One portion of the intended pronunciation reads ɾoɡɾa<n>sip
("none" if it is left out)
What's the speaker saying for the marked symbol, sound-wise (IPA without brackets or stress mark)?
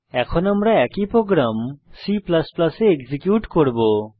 m